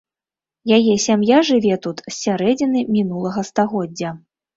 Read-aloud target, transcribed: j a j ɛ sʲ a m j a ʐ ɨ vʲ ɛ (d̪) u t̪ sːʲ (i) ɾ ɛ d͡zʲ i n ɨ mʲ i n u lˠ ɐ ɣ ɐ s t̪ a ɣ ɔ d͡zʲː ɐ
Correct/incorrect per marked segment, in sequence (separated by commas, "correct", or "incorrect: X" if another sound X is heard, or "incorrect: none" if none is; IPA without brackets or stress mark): incorrect: t̪, incorrect: a